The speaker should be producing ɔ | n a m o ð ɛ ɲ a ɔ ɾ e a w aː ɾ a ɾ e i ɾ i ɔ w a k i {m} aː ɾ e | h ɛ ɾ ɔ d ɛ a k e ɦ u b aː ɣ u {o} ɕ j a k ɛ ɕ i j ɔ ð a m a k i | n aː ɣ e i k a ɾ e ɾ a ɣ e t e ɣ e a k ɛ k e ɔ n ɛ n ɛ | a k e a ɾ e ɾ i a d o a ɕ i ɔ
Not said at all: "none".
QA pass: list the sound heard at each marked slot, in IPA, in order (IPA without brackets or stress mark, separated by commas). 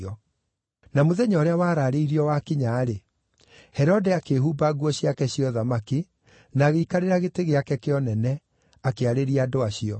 ɲ, ɔ